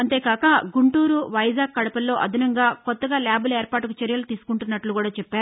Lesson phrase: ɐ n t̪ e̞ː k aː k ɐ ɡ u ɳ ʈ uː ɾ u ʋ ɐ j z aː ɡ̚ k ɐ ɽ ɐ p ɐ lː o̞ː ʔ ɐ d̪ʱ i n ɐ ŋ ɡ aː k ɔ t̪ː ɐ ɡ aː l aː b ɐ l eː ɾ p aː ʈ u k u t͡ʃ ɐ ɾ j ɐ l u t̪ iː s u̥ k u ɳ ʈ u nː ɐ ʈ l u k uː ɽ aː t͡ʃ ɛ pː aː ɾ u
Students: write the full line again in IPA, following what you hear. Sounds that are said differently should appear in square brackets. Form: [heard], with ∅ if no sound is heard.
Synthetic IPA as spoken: ɐ n t̪ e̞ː k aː k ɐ ɡ u ɳ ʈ uː ɾ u ʋ ɐ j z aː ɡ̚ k ɐ ɽ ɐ p ɐ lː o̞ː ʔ ɐ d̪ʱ i n ɐ ŋ ɡ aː k ɔ t̪ː ɐ ɡ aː l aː b ɐ l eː ɾ p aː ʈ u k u t͡ʃ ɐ ɾ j ɐ l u t̪ iː s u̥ k u ɳ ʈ u nː ɐ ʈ l u k uː ɽ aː t͡ʃ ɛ pː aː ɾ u